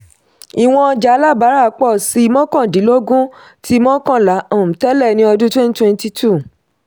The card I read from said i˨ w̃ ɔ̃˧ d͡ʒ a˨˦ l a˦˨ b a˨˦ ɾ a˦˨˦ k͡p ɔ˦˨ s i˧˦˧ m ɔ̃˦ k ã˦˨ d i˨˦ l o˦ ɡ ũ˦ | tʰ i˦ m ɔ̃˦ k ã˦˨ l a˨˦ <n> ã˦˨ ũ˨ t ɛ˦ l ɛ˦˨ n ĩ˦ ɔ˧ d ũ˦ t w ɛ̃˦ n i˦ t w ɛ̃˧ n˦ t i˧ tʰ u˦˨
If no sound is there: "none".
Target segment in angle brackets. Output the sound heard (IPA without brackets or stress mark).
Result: none